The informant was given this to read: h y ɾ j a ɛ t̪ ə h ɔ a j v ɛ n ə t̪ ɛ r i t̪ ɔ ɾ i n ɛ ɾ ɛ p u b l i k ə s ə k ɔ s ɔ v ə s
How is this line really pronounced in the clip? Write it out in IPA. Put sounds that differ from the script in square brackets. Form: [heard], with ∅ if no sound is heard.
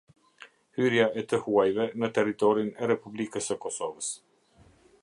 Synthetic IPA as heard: h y ɾ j a ɛ t̪ ə h [u] a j v ɛ n ə t̪ ɛ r i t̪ ɔ ɾ i n ɛ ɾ ɛ p u b l i k ə s ə k ɔ s ɔ v ə s